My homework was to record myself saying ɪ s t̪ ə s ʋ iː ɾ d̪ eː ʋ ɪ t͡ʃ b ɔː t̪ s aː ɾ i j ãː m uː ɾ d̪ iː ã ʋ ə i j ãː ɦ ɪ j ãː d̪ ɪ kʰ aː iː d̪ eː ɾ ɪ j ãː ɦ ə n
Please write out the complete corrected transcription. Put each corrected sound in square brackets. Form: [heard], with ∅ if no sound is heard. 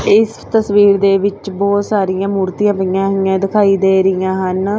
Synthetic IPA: ɪ s t̪ ə s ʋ iː ɾ d̪ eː ʋ ɪ t͡ʃ b ɔː t̪ s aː ɾ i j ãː m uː ɾ [t̪] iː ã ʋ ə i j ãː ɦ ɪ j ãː d̪ ɪ kʰ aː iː d̪ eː ɾ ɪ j ãː ɦ ə n